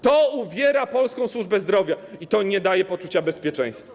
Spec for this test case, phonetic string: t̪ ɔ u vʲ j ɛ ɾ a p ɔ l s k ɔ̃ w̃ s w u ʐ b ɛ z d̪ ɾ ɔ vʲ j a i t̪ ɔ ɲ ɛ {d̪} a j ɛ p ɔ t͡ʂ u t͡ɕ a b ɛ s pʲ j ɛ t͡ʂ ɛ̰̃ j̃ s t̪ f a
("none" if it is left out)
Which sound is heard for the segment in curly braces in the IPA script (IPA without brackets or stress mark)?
d̪